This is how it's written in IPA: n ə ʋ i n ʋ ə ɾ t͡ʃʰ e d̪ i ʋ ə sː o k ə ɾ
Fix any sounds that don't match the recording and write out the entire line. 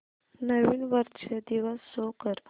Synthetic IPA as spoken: n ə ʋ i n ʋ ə ɾ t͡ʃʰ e d̪ i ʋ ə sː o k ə ɾ